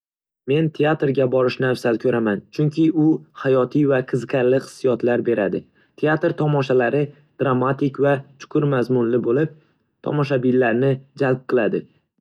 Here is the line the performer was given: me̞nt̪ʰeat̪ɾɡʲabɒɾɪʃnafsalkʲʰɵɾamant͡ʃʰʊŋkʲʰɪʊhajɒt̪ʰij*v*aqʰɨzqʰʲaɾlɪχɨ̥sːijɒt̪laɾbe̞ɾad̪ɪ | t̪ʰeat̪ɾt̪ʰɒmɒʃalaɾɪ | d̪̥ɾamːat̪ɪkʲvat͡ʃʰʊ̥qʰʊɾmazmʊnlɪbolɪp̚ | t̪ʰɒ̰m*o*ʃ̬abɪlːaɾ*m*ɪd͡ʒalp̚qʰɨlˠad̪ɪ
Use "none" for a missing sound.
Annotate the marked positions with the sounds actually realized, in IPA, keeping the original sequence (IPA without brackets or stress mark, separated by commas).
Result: v, ɒ, n